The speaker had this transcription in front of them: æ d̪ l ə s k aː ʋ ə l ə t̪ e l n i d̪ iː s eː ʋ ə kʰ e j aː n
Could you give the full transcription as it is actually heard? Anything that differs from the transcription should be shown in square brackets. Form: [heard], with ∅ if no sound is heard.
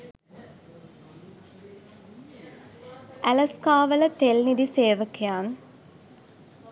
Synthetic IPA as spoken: æ [∅] l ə s k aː ʋ ə l ə t̪ e l n i d̪ [i] s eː ʋ ə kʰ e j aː n